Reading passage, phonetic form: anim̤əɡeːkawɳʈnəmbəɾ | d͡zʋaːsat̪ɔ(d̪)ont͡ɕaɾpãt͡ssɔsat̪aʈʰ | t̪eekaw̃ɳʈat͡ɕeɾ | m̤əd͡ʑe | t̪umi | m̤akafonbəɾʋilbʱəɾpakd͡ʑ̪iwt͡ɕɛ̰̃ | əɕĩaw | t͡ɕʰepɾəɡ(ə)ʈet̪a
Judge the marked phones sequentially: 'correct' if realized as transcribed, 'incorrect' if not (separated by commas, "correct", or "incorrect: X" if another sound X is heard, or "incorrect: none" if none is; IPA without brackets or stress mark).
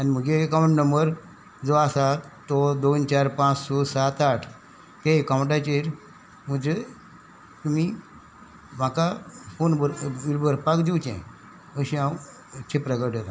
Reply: correct, correct